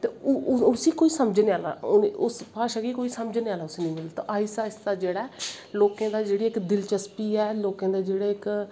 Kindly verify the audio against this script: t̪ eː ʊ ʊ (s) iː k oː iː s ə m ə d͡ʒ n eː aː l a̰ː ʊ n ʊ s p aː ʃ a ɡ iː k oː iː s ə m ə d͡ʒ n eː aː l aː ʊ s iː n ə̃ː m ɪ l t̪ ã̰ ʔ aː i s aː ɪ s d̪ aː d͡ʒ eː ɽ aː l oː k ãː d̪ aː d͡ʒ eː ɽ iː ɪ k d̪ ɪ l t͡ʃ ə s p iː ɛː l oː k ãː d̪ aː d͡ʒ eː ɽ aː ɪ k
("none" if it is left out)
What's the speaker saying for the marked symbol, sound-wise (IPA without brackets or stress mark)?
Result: s